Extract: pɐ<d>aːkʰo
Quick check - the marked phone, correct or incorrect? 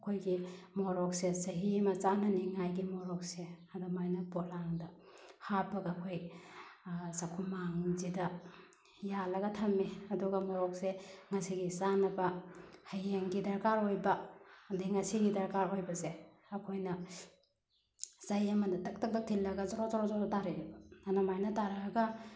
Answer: incorrect